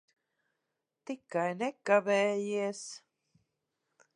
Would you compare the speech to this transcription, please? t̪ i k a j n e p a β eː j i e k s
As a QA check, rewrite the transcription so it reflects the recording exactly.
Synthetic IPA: t̪ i k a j n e k a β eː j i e s